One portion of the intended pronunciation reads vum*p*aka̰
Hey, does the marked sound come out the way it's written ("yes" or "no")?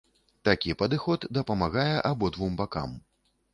no